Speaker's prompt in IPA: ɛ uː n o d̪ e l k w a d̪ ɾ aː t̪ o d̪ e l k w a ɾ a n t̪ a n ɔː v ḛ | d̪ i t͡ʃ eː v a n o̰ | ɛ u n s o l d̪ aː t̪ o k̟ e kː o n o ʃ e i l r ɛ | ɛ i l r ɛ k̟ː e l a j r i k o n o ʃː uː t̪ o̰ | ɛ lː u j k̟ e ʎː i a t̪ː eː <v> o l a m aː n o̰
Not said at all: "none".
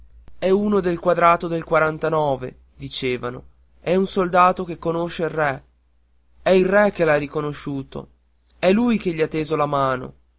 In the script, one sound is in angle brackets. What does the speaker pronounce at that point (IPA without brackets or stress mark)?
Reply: z